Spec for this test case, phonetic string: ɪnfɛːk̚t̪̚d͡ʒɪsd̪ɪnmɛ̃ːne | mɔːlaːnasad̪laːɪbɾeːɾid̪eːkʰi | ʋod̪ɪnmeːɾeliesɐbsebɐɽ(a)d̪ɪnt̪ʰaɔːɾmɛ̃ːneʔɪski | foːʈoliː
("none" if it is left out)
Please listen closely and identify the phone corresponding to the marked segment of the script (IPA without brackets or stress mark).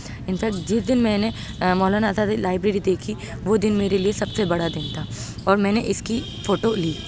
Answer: a